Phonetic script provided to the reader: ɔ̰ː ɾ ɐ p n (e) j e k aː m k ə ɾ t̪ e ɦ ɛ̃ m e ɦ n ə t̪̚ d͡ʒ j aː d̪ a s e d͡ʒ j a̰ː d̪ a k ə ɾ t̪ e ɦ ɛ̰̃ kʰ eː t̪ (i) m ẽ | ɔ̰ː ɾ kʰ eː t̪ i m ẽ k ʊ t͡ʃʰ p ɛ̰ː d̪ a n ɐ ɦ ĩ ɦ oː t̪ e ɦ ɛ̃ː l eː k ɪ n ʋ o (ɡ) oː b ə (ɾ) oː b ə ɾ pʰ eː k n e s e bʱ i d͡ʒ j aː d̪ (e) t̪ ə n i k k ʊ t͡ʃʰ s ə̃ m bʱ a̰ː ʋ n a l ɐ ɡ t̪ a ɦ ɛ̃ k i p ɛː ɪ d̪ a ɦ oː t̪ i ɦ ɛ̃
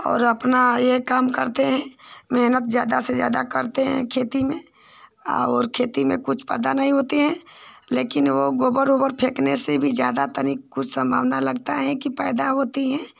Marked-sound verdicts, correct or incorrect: incorrect: a, correct, correct, correct, incorrect: a

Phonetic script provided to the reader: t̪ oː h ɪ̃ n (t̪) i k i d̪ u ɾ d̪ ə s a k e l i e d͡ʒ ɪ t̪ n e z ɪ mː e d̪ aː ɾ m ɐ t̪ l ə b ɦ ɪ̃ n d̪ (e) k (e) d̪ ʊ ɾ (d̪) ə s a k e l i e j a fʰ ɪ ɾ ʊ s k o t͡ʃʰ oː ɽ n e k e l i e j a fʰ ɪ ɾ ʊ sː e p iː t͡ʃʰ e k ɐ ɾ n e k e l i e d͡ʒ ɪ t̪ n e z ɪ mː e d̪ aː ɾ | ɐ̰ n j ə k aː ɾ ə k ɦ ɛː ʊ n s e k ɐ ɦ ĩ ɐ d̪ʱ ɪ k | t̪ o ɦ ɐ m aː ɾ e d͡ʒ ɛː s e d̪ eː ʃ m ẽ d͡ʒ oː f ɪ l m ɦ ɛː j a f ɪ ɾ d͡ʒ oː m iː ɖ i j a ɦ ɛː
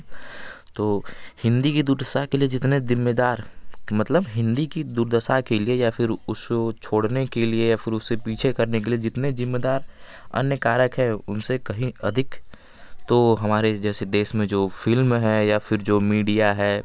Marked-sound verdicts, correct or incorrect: incorrect: d̪, incorrect: i, incorrect: i, correct

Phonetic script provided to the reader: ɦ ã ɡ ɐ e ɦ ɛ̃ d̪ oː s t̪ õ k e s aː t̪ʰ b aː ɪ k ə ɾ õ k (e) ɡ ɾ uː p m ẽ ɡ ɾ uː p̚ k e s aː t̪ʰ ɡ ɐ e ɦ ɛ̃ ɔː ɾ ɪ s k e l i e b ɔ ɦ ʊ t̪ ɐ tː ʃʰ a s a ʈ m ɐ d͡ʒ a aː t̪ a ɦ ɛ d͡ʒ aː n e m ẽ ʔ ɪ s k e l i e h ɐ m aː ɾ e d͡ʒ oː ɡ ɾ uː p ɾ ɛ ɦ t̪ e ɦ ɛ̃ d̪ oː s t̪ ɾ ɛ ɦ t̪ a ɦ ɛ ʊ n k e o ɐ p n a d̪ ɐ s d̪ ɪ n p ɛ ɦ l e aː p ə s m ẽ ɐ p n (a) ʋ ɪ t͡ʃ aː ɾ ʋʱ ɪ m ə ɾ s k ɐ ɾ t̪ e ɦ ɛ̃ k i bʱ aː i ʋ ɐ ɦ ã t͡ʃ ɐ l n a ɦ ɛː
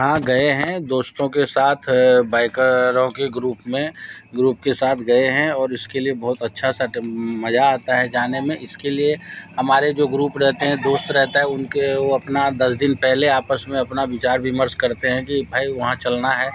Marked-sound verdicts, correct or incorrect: correct, correct

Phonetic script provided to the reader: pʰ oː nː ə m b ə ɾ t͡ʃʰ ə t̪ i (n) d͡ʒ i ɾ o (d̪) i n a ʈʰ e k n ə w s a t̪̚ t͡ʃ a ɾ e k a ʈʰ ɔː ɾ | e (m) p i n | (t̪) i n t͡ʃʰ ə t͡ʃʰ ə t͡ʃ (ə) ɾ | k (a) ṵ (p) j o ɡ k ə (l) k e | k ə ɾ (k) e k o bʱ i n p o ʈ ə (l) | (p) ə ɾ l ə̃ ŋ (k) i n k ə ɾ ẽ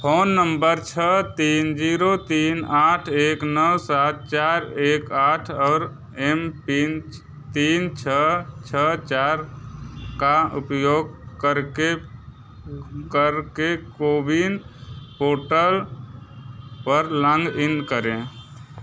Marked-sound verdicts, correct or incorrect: correct, incorrect: t̪, correct, correct, incorrect: a, correct, correct, incorrect: ɾ, correct, correct, correct, incorrect: ɡ

